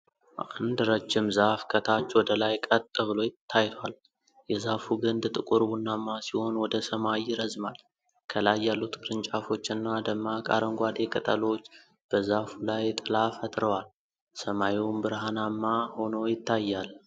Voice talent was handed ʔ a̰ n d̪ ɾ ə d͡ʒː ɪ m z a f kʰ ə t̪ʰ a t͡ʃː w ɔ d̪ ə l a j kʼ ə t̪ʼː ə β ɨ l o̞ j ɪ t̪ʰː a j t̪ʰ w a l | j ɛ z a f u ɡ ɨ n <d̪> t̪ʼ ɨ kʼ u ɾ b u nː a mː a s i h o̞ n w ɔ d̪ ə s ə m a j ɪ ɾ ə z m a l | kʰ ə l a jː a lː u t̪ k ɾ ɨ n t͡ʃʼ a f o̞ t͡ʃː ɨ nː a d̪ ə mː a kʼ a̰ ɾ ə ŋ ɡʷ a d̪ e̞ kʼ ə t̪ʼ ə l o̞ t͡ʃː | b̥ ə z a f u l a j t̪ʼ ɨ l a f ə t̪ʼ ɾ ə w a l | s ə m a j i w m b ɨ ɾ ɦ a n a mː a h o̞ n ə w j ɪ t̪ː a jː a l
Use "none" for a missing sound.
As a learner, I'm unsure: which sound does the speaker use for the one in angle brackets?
d̪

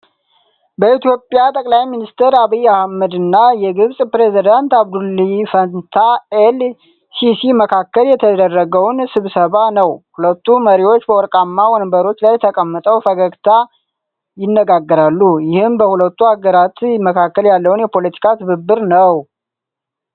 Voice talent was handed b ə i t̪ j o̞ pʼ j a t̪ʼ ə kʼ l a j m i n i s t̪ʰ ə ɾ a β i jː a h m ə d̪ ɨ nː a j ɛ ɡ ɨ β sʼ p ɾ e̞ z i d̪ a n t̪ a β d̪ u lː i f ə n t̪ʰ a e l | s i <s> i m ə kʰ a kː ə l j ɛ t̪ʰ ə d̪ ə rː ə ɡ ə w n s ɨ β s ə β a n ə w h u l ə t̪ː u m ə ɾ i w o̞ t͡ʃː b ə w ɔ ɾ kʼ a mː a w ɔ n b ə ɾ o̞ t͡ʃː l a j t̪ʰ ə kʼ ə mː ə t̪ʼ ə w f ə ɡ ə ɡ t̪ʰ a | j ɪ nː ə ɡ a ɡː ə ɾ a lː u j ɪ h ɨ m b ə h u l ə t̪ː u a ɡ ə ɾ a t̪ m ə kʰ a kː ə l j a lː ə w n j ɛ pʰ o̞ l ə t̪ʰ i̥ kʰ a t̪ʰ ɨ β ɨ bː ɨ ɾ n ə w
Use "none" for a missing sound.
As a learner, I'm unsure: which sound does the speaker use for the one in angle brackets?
s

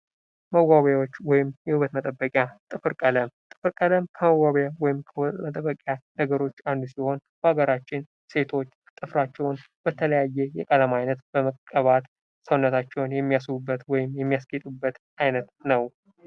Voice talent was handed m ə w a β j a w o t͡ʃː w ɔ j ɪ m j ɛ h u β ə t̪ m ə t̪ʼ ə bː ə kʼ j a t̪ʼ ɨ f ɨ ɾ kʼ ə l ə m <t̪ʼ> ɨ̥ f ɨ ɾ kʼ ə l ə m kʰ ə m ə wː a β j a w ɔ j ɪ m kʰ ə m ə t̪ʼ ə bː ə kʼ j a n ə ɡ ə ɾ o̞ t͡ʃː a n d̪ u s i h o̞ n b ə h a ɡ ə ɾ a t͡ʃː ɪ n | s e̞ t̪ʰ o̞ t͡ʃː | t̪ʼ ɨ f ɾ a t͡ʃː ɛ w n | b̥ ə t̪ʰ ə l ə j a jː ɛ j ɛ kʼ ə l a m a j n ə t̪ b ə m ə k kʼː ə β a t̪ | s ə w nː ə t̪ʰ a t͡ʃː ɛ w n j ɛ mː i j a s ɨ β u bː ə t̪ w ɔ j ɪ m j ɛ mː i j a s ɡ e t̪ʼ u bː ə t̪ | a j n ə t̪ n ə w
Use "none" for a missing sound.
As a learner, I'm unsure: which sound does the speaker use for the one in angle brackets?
t̪ʼ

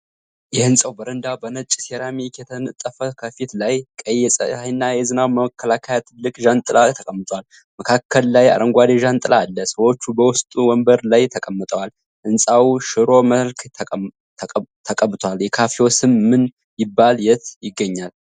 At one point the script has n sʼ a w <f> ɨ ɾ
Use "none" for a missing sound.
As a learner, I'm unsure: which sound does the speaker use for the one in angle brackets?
ʃ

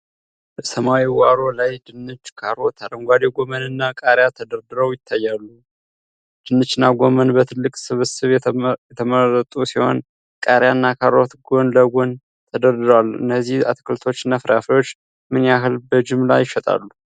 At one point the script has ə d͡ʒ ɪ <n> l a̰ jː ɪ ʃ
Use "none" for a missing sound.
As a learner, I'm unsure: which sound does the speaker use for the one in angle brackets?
m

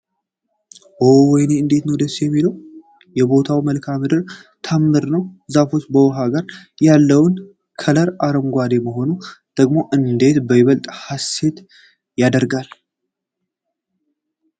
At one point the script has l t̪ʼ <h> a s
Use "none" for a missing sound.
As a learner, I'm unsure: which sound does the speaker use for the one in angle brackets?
h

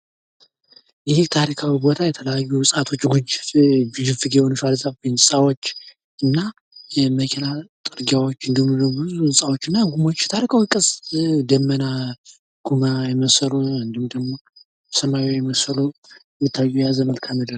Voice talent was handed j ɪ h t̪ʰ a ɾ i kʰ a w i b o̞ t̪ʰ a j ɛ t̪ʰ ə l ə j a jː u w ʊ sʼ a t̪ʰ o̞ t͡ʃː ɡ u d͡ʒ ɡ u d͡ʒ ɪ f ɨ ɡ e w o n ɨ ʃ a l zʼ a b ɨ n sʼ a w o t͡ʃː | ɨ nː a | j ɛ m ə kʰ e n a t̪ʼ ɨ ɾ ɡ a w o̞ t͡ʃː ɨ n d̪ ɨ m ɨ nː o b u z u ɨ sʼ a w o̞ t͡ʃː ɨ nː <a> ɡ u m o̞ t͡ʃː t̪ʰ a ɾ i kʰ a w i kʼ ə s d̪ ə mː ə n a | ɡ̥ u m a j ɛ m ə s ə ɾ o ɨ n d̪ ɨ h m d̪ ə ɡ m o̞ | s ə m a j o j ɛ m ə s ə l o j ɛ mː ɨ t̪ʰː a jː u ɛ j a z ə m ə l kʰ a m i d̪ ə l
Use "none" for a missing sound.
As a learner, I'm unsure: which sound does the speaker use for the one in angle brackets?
a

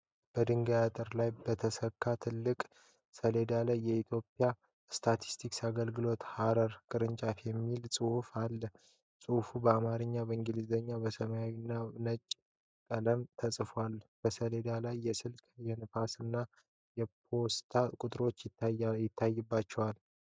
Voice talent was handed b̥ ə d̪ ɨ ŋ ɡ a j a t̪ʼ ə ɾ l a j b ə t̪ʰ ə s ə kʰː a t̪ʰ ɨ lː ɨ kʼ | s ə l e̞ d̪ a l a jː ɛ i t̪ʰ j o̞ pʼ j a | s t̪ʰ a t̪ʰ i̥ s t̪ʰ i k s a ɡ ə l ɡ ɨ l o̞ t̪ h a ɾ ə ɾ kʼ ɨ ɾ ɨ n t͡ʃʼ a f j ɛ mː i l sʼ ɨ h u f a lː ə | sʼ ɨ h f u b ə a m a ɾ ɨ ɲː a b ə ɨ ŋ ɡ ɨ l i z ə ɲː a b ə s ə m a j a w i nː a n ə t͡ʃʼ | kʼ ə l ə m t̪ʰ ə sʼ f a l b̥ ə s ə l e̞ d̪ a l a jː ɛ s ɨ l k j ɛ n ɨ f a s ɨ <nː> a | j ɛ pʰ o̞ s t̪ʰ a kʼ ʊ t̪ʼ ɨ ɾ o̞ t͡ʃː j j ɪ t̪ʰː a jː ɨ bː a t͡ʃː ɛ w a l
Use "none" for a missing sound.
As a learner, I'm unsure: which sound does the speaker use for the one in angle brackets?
nː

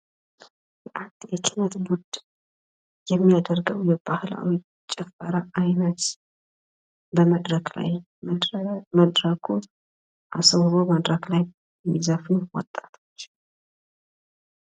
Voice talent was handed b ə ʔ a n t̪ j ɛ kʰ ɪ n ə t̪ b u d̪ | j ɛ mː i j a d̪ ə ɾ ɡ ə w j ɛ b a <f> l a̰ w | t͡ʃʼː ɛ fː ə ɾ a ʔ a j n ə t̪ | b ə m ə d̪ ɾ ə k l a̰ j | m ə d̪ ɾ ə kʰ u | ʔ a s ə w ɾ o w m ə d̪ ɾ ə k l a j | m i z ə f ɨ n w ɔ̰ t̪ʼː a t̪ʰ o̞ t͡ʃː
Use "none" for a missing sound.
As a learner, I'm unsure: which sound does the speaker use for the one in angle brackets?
h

